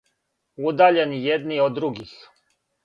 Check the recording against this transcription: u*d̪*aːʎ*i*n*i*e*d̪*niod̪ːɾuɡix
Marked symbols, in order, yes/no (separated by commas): yes, no, no, yes